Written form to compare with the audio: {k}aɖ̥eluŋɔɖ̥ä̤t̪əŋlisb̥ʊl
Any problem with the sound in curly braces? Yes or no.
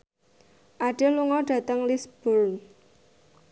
yes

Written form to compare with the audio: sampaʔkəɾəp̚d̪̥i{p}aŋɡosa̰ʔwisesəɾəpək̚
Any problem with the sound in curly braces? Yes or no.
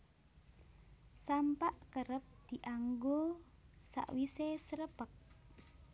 yes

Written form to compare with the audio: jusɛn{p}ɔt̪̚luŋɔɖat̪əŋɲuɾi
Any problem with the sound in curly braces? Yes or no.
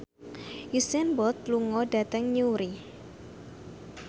yes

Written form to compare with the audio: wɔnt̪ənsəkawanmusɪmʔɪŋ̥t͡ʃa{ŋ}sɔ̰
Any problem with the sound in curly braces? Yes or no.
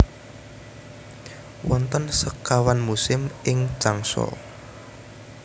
no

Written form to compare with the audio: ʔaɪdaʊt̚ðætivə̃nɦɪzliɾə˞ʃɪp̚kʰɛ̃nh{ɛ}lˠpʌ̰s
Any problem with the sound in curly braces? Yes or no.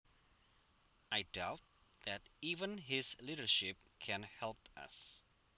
no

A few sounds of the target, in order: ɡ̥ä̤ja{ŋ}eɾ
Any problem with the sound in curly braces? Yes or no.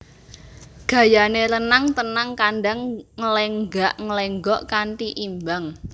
yes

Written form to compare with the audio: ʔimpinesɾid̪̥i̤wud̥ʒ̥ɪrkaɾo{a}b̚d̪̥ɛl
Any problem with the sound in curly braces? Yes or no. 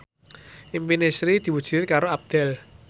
no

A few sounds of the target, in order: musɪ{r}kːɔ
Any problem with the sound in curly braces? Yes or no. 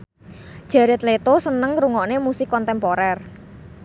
yes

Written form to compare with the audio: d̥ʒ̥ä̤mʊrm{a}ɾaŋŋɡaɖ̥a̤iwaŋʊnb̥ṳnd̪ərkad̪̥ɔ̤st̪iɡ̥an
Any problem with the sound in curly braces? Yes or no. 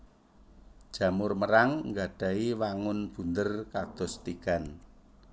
yes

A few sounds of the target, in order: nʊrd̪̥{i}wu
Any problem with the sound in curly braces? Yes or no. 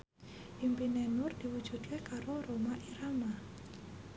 no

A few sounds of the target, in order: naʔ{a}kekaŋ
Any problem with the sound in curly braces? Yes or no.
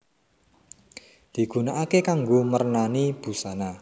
no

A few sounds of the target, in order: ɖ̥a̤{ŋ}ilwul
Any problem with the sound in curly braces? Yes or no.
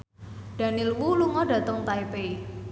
yes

